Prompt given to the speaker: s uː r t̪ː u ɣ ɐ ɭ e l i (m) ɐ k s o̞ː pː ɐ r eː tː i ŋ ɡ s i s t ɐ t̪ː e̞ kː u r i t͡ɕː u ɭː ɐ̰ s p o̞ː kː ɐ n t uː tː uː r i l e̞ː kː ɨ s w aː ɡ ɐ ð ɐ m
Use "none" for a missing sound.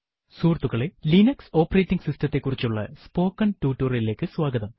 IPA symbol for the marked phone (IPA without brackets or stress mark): n